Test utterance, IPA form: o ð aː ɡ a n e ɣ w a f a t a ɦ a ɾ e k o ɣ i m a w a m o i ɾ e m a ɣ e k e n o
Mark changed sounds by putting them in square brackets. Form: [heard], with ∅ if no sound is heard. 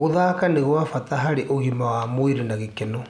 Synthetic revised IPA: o ð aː [k] a n e ɣ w a f a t a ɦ a ɾ e [ʔ] o ɣ i m a w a m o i ɾ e [n] a ɣ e k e n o